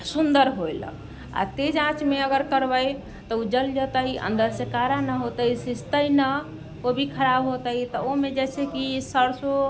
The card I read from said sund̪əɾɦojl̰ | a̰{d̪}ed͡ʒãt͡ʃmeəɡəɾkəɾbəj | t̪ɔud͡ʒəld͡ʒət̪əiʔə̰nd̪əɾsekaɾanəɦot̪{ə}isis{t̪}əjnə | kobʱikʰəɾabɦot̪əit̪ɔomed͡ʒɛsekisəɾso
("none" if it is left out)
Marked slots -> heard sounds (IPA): t̪, ə, t̪

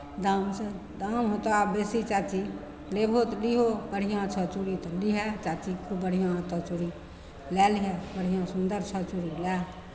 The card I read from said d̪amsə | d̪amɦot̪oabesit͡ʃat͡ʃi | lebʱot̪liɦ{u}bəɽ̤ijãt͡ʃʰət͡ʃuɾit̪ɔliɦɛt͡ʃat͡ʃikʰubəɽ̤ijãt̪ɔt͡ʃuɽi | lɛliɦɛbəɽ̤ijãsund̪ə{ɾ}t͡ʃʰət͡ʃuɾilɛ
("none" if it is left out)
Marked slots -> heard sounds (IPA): o, ɾ

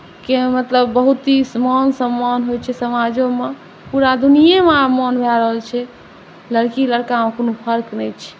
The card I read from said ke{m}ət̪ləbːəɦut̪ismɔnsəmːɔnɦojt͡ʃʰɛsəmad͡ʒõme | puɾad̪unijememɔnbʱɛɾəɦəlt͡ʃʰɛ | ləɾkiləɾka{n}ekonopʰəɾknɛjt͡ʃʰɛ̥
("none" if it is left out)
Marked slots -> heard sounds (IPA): m, m

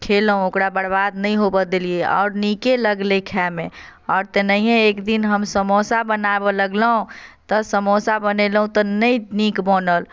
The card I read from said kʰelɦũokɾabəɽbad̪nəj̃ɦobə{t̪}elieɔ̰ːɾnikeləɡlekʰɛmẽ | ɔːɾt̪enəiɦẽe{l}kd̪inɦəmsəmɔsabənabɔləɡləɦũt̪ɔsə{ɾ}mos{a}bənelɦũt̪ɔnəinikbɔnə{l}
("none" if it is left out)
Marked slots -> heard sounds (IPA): d̪, none, none, a, l

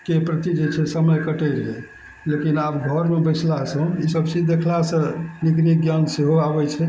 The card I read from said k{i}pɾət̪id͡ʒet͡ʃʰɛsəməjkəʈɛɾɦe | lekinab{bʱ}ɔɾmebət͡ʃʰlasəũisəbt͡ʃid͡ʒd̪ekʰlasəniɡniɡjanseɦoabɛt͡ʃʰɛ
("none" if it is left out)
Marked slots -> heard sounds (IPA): e, ɡʱ

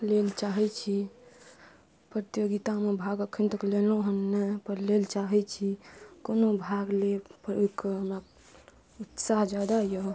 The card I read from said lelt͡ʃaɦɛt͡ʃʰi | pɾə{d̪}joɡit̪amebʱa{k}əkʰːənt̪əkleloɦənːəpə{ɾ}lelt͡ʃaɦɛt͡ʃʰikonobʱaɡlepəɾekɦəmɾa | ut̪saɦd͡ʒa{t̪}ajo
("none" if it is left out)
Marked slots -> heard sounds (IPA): t̪, ɡ, ɾ, d̪

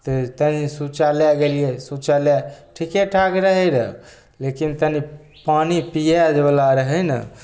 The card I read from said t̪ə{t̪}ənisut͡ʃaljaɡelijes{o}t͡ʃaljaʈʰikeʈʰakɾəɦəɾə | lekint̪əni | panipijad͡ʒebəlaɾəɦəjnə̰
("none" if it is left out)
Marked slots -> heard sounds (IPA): t̪, u

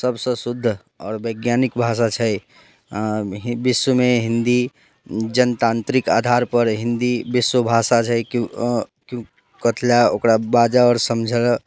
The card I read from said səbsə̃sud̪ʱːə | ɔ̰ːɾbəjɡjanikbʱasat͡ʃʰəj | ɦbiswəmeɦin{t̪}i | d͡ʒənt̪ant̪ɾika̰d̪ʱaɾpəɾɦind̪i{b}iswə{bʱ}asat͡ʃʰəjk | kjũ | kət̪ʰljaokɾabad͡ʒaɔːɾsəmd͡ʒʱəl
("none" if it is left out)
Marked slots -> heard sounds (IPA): d̪, b, bʱ

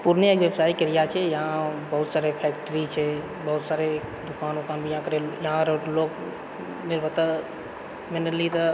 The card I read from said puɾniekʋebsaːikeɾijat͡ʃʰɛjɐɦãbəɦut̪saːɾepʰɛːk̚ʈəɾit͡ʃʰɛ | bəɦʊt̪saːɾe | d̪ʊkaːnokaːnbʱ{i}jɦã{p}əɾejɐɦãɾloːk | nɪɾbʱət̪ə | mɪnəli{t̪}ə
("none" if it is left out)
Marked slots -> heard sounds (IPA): i, k, t̪

